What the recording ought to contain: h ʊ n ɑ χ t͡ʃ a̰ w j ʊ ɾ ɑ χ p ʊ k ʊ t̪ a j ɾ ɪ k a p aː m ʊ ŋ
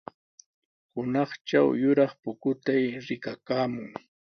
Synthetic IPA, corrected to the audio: h ʊ n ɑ χ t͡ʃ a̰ w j ʊ ɾ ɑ χ p ʊ k ʊ t̪ a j ɾ ɪ k a k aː m ʊ ŋ